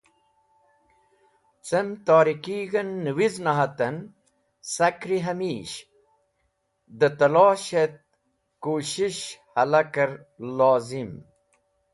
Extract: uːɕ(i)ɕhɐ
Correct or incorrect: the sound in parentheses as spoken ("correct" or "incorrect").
correct